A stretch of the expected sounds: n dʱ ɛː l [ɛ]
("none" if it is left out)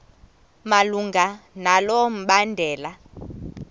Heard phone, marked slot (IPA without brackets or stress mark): a